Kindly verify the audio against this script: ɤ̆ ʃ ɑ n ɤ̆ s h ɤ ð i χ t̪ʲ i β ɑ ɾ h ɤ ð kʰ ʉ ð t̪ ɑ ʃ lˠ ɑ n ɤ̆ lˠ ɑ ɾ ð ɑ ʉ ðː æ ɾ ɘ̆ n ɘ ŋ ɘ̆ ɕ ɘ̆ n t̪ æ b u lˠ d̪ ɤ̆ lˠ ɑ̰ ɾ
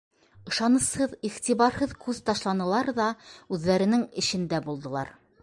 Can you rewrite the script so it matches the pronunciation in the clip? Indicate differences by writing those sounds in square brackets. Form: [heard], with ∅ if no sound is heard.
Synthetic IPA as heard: ɤ̆ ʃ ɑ n ɤ̆ s h ɤ ð i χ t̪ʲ i β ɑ ɾ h ɤ ð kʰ ʉ ð t̪ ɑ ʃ lˠ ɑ n ɤ̆ lˠ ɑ ɾ ð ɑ ʉ ðː æ ɾ ɘ̆ n ɘ ŋ ɘ̆ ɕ ɘ̆ n [d̪] æ b u lˠ d̪ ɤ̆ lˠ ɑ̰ ɾ